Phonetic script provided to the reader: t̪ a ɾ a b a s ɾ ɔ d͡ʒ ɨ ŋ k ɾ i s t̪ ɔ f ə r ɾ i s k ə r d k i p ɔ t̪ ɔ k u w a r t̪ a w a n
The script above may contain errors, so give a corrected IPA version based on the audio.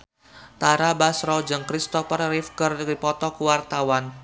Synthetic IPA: t̪ a ɾ a b a s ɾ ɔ d͡ʒ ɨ ŋ k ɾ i s t̪ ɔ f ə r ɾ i f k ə r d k i p ɔ t̪ ɔ k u w a r t̪ a w a n